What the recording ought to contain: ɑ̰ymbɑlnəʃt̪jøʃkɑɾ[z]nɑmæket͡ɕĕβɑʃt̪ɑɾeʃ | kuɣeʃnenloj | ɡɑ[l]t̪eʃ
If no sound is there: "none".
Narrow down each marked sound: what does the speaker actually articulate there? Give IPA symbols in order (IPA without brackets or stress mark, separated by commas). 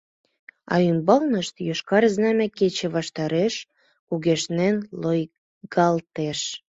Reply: z, l